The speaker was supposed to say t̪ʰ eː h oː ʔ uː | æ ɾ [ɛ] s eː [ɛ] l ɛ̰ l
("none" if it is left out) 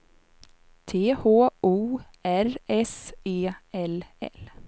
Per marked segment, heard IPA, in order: ɛ, ɛ

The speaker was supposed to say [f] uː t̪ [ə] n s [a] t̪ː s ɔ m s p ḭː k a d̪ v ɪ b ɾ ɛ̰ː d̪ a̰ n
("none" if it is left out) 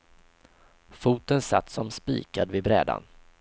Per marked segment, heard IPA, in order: f, ə, a

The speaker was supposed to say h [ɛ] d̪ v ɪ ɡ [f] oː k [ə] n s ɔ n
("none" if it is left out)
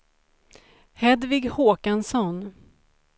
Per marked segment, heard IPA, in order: ɛ, h, a

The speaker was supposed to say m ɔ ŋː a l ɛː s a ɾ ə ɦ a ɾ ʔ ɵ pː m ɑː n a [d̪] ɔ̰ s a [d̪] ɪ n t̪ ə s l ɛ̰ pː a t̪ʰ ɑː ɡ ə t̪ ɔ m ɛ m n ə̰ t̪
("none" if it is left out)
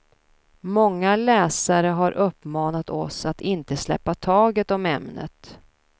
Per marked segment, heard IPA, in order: t̪, t̪

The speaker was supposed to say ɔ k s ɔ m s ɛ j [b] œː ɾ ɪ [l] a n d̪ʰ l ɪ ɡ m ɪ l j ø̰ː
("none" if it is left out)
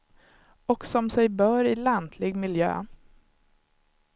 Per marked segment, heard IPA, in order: b, l

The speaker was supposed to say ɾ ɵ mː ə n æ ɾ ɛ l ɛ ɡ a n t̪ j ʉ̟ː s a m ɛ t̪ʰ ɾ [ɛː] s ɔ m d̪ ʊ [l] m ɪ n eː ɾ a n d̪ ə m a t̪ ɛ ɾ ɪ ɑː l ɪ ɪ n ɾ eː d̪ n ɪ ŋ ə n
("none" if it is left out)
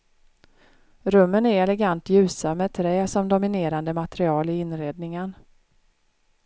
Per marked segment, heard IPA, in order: ɛː, none

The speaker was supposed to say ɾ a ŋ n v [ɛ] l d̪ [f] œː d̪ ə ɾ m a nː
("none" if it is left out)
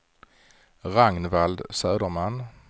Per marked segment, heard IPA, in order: a, s

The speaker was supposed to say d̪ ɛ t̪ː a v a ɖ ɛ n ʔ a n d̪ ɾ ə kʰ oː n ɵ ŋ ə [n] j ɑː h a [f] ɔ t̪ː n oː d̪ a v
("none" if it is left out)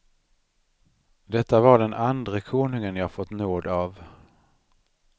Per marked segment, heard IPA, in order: n, f

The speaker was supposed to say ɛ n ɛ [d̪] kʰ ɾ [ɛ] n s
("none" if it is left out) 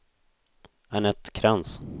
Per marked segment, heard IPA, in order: t̪, a

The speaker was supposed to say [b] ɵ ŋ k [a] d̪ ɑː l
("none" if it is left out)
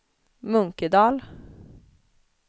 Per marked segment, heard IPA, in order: m, ə

